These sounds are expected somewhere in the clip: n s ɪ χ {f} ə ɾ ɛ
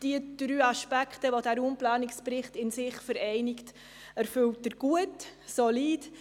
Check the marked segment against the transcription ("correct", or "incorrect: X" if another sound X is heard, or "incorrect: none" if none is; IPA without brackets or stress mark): correct